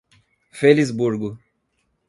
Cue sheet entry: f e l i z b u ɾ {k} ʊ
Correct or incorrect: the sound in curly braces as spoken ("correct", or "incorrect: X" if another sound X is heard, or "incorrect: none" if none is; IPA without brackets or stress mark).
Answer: incorrect: ɡ